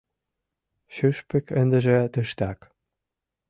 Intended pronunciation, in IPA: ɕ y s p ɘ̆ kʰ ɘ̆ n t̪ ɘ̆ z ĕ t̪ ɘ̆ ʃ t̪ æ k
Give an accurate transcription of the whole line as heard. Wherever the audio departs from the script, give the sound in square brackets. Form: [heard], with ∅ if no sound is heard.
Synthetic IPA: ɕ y [ʃ] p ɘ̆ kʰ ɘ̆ n [d̪] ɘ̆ [ʒ] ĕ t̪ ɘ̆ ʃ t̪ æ k